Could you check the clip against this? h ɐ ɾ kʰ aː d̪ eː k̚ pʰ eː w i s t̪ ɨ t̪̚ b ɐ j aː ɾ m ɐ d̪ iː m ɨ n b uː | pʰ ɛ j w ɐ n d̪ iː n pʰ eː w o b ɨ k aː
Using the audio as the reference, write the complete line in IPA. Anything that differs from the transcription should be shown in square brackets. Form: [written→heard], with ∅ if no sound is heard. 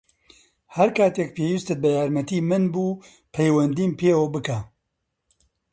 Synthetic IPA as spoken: h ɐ ɾ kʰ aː [d̪→t̪] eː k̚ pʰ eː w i s t̪ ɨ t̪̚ b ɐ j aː ɾ m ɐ [d̪→t̪] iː m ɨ n b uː | pʰ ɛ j w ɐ n d̪ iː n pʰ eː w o b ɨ k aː